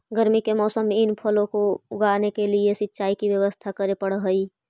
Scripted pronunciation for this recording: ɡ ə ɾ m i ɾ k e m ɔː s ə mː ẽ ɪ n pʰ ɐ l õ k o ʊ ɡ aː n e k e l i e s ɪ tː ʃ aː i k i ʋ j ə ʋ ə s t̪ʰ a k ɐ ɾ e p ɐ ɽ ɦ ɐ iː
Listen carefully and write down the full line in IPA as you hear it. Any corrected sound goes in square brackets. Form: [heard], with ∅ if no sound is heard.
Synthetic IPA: ɡ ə ɾ m i [∅] k e m ɔː s ə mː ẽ ɪ n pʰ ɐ l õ k o ʊ ɡ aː n e k e l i e s ɪ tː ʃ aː i k i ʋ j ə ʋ ə s t̪ʰ a k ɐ ɾ e p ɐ ɽ ɦ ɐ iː